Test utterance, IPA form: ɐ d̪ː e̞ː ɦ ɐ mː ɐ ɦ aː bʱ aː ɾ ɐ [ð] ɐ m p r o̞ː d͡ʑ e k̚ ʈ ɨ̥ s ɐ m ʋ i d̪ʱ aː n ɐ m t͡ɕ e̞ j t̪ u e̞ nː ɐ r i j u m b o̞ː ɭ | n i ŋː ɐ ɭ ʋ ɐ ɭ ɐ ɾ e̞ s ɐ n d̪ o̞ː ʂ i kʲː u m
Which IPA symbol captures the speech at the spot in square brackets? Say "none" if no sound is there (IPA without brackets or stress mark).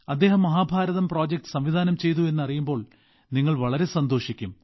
ð